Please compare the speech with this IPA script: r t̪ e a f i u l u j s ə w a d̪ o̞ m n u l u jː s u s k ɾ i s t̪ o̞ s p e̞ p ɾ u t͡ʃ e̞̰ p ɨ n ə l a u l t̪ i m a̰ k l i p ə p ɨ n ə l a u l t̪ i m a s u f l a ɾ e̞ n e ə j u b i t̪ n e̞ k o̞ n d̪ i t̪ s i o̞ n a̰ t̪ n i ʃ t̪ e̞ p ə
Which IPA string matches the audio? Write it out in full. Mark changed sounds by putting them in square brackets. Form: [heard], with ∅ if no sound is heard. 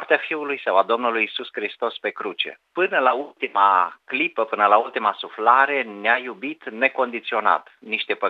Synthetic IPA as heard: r t̪ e a f i u l u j s ə w a d̪ o̞ m n u l u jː s u s k ɾ i s t̪ o̞ s p e̞ [k] ɾ u t͡ʃ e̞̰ p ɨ n ə l a u l t̪ i m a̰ k l i p ə p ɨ n ə l a u l t̪ i m a s u f l a ɾ e̞ n e [a] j u b i t̪ n e̞ k o̞ n d̪ i t̪ s i o̞ n a̰ t̪ n i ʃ t̪ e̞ p ə